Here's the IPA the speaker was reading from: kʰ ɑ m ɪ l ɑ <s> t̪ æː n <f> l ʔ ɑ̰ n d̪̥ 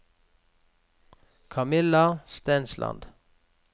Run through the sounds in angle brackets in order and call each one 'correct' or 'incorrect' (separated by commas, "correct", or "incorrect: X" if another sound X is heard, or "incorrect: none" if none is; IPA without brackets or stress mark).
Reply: correct, incorrect: s